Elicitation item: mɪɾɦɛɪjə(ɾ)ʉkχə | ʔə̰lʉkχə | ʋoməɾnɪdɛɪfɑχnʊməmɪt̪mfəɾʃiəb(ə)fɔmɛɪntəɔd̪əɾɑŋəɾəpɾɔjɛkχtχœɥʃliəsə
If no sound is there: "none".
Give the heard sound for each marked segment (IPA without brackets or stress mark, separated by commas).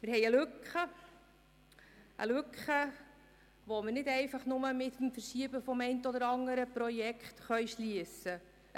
l, ə